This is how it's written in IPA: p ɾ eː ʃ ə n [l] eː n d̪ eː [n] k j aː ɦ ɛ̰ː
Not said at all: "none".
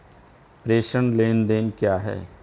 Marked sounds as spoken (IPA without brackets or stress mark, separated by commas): l, n